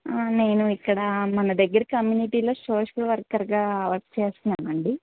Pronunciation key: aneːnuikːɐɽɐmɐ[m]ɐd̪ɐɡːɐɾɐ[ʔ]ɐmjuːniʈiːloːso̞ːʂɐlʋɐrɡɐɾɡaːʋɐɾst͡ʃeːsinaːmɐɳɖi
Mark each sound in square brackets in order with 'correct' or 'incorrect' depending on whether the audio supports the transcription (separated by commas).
incorrect, incorrect